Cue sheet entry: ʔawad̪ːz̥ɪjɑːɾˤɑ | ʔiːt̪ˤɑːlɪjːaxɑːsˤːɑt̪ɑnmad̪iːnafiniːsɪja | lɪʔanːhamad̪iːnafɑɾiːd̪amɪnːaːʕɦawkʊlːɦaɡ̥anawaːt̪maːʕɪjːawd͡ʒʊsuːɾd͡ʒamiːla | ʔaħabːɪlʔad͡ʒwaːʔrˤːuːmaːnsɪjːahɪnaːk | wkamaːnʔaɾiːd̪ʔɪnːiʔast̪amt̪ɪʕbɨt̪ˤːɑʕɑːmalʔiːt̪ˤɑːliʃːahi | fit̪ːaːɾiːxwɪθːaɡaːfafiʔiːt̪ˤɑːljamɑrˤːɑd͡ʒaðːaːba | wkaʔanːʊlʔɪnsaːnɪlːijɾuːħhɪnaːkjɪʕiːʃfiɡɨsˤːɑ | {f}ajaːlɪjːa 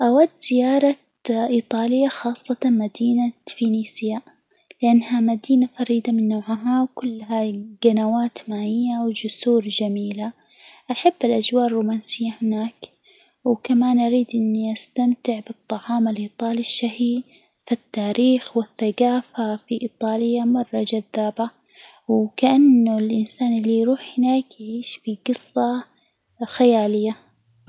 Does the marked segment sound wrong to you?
yes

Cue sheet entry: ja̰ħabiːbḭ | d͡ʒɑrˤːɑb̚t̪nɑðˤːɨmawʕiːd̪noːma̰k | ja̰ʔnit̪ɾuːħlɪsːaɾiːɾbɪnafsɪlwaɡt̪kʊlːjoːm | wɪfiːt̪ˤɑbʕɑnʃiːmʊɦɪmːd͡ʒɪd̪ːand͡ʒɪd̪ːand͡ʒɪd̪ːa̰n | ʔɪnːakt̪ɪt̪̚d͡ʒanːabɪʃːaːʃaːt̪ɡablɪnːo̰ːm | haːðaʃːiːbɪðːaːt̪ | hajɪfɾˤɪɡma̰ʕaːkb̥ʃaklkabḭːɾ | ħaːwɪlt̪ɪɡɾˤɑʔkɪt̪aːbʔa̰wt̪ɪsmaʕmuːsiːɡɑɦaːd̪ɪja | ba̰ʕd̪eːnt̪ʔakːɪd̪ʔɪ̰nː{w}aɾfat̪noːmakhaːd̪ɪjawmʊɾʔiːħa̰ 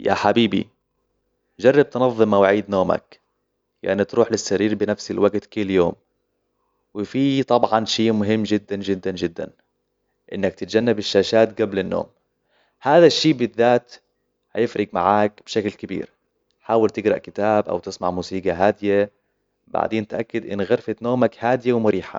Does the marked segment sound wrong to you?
yes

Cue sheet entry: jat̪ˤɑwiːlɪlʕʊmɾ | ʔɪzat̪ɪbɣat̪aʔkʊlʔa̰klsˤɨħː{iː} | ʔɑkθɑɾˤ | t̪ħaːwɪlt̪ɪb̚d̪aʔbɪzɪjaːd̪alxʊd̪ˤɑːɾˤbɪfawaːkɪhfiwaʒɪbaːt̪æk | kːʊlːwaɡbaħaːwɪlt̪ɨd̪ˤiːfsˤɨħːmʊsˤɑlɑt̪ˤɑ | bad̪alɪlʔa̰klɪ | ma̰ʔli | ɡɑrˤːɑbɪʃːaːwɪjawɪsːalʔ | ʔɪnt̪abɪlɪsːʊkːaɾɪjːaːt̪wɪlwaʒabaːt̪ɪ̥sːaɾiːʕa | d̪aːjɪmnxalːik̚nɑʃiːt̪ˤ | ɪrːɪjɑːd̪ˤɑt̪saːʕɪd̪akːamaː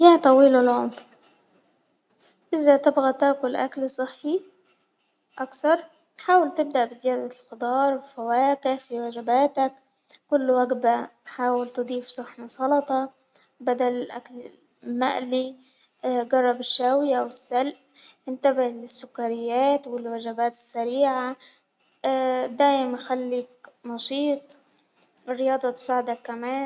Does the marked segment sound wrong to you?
yes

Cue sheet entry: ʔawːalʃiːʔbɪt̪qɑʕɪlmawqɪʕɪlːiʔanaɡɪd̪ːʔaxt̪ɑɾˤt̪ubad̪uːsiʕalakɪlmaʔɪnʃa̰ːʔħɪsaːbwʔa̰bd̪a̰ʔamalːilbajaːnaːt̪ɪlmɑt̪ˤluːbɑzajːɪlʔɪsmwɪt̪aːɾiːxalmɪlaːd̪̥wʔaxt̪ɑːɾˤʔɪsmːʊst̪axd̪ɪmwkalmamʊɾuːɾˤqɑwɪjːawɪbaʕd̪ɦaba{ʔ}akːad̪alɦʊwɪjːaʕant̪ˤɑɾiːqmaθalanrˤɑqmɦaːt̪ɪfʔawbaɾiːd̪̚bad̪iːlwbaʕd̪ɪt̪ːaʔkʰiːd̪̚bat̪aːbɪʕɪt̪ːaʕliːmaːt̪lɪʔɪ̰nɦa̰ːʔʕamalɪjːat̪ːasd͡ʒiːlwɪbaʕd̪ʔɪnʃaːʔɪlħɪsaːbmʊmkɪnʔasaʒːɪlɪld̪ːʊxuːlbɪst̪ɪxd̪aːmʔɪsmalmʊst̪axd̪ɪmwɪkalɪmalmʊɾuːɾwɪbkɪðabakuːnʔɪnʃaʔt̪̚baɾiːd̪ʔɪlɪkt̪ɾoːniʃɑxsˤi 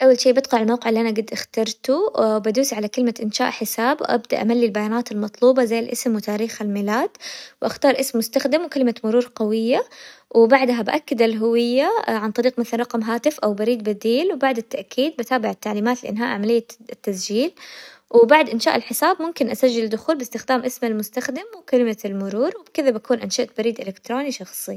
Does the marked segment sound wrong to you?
no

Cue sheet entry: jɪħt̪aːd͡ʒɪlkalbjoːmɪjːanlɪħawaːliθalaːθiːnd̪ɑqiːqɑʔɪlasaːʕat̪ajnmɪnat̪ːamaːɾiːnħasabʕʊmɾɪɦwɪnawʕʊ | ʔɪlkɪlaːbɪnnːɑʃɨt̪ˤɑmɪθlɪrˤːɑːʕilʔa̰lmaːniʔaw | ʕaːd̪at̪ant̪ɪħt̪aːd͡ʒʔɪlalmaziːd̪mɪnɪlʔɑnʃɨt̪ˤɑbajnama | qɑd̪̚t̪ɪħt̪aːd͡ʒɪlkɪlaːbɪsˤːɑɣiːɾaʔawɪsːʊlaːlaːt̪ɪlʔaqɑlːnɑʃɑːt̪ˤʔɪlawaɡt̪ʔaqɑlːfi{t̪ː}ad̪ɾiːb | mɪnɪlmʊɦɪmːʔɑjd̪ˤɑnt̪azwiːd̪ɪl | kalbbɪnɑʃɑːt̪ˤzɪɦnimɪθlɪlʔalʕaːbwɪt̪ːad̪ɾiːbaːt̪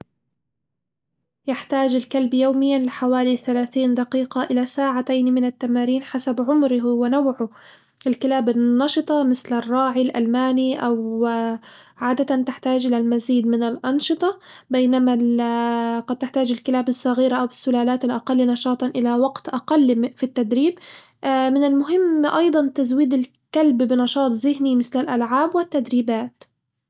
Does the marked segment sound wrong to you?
no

